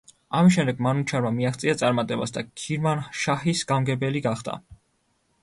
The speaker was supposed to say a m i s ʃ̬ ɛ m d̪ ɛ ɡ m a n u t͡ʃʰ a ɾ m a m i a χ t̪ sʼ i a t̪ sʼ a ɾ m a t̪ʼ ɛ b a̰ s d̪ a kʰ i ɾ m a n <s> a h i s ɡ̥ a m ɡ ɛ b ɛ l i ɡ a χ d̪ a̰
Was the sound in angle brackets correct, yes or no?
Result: no